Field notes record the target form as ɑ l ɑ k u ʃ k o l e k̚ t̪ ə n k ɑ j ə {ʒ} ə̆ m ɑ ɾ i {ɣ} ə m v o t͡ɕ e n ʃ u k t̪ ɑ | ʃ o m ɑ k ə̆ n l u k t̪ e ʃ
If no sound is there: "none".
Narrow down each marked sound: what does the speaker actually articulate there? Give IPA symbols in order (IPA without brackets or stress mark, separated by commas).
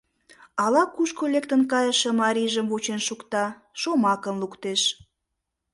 ʃ, ʒ